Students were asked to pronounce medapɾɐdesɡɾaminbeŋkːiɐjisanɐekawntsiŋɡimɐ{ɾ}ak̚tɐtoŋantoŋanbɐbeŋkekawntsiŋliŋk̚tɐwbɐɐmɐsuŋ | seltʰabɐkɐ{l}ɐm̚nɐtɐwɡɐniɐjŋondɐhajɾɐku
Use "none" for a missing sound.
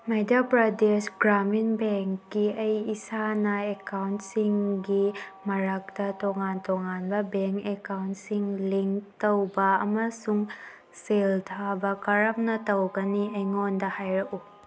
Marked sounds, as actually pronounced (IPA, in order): ɾ, ɾ

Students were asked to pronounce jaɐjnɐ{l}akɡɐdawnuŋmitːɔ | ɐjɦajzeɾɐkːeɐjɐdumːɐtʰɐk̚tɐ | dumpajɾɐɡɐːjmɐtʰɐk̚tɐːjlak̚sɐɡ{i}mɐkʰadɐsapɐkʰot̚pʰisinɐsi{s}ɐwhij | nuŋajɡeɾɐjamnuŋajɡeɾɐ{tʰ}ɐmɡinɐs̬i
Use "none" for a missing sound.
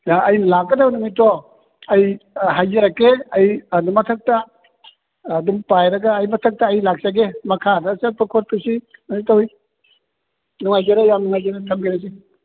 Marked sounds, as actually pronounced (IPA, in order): l, e, t, tʰ

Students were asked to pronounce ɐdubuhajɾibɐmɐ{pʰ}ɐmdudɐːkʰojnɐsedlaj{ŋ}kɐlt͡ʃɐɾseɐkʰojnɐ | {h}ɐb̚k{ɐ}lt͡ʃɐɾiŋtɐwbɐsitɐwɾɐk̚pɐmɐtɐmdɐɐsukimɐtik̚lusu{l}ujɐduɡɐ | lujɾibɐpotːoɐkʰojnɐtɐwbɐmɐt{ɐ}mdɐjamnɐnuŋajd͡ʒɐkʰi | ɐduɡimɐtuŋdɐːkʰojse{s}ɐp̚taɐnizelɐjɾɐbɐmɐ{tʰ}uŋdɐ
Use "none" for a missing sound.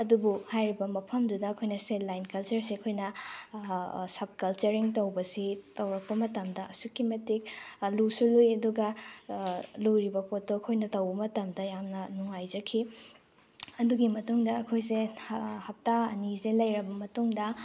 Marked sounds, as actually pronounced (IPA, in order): pʰ, n, s, ɐ, l, ɐ, h, t

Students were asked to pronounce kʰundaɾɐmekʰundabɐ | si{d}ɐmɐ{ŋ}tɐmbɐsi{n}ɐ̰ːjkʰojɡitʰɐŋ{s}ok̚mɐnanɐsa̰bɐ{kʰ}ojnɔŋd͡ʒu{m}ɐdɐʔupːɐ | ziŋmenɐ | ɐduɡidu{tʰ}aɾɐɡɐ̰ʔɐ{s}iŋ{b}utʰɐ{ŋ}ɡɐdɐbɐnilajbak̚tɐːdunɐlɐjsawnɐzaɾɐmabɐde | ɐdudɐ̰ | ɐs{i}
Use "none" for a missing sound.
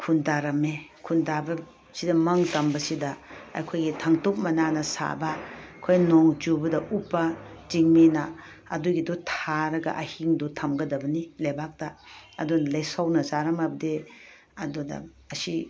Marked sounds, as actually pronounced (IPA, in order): d, ŋ, d, t, kʰ, b, tʰ, h, d, m, i

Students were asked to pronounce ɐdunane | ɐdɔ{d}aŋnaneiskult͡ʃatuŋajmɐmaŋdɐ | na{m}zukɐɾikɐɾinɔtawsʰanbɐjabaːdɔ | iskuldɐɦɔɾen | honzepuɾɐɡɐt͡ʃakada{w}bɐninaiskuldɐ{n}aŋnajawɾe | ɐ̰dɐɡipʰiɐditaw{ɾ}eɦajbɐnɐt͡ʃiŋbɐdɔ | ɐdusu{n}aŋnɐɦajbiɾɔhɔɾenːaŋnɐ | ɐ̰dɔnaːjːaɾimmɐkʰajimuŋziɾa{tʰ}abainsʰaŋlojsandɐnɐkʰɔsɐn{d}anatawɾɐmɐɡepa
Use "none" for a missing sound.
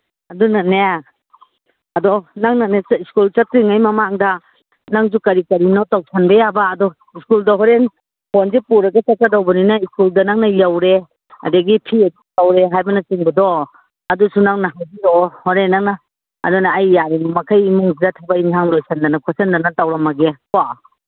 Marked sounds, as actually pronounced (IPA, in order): n, ŋ, w, n, ɾ, n, tʰ, d

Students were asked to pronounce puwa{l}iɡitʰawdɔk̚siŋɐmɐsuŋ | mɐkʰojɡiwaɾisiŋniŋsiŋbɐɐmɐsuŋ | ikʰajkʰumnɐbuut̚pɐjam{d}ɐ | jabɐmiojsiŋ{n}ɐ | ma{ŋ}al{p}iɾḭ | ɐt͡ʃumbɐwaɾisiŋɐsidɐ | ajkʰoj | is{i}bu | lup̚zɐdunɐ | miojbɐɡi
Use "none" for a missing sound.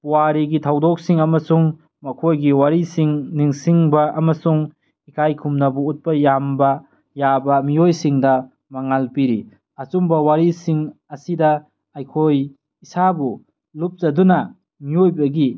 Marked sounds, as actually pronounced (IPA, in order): ɾ, b, d, ŋ, p, a

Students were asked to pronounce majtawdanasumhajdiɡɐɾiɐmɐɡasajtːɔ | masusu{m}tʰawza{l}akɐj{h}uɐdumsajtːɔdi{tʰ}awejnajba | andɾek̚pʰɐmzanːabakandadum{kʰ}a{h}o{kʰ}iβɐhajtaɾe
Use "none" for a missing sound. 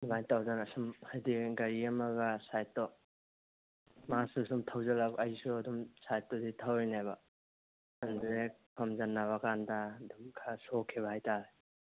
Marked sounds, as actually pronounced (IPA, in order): m, l, s, tʰ, kʰ, s, kʰ

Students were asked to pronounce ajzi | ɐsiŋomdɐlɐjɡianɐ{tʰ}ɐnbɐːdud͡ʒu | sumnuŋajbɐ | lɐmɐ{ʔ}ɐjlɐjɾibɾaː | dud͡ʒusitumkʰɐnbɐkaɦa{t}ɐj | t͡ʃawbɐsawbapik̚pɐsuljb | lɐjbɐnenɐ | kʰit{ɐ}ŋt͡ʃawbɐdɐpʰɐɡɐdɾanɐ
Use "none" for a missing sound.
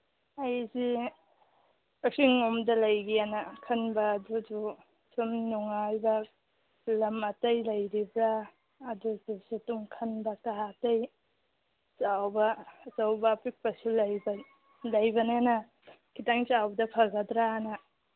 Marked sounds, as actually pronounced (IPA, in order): kʰ, t, t, a

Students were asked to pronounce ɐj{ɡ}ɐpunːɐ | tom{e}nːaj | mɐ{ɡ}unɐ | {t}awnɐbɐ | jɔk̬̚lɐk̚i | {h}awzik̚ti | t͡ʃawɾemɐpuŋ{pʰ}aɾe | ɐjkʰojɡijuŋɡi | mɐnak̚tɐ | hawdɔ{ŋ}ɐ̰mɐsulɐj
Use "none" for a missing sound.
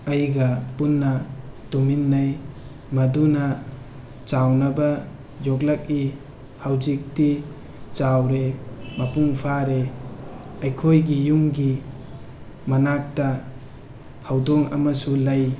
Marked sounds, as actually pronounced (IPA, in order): ɡ, i, d, t͡ʃ, h, pʰ, ŋ

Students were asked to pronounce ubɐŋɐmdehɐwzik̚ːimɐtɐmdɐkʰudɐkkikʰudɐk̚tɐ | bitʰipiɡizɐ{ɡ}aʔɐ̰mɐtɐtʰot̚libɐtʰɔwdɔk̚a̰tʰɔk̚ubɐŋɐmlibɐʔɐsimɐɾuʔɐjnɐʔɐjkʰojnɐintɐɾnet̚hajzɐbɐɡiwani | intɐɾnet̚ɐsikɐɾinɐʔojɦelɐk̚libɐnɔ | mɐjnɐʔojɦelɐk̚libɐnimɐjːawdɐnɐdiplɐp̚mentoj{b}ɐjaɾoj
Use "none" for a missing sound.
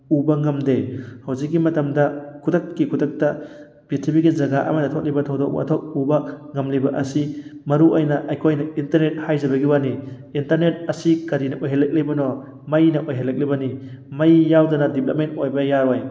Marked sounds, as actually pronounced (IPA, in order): ɡ, b

